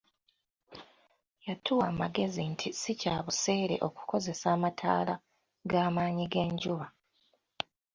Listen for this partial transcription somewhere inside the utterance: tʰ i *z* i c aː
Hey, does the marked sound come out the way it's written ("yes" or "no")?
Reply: no